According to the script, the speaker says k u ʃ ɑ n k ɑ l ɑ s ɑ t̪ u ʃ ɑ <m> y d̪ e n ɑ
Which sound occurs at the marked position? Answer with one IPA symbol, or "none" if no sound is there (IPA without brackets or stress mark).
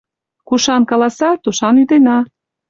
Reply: n